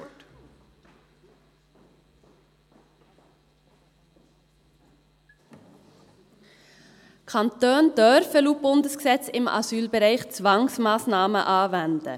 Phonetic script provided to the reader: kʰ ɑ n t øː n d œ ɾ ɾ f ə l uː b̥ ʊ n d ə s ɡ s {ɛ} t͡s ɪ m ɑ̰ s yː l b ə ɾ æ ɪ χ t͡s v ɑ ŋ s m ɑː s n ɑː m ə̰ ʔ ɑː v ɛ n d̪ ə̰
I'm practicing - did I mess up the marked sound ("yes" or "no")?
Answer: no